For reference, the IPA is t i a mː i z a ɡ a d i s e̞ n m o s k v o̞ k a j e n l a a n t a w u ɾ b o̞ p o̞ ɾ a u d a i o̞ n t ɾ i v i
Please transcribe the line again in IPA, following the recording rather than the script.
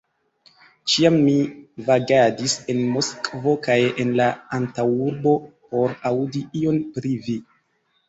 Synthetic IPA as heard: t͡ʃ i a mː i v a ɡ a d i s e̞ n m o s k v o̞ k a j e n l a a n t a w u ɾ b o̞ p o̞ ɾ a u d i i o̞ n p ɾ i v i